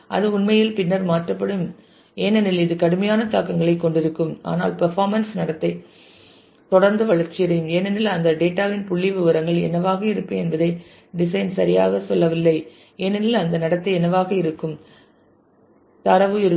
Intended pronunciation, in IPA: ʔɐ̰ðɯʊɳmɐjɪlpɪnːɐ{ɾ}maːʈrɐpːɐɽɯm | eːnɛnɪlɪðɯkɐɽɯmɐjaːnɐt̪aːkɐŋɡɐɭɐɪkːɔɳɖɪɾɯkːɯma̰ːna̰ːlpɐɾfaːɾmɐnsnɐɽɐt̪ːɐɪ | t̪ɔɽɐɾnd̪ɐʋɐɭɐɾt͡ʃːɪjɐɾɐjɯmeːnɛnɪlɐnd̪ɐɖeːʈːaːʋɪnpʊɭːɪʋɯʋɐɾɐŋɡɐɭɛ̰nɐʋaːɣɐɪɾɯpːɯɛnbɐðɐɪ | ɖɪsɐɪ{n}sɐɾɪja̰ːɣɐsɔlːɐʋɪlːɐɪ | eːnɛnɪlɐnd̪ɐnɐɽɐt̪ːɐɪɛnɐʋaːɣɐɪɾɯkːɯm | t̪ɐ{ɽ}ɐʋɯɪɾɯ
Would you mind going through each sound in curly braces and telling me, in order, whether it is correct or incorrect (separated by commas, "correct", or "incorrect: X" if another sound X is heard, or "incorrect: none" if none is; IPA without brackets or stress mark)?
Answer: correct, correct, incorrect: ɾ